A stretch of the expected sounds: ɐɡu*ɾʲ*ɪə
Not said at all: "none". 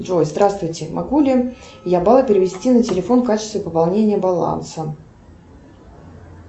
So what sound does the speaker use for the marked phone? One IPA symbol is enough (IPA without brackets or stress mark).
lʲ